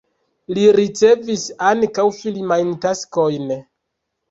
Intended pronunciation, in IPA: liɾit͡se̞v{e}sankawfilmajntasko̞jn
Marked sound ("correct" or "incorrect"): incorrect